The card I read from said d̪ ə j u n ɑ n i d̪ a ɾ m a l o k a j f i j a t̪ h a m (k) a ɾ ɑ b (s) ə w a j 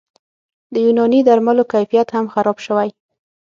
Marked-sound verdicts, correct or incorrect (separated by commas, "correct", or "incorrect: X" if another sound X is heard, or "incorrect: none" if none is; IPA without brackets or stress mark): incorrect: x, incorrect: ʃ